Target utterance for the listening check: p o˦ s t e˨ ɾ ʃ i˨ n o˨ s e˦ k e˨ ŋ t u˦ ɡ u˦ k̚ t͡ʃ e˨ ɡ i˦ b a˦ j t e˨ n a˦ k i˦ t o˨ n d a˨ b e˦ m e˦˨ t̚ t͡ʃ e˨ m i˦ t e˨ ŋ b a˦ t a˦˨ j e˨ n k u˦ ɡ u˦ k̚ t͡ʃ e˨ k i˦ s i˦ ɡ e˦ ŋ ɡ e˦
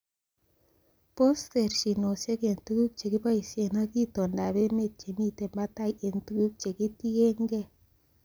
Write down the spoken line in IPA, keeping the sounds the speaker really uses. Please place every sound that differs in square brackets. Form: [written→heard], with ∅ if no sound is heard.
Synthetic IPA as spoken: p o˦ s t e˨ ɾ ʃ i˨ n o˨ s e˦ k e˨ [ŋ→n] t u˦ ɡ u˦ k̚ t͡ʃ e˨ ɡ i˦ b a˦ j [t→s] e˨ n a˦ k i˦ t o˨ n d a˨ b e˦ m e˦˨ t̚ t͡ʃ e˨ m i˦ t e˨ [ŋ→m] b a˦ t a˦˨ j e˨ n [k→t] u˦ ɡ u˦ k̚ t͡ʃ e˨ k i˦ [s→t] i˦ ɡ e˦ ŋ ɡ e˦